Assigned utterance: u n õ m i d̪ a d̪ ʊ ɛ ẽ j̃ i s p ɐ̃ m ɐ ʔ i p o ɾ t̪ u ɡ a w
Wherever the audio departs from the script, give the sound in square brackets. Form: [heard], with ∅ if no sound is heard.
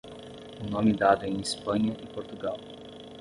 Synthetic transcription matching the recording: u n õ m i d̪ a d̪ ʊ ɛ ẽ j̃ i s p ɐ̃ [ɲ] ɐ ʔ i p o ɾ t̪ u ɡ a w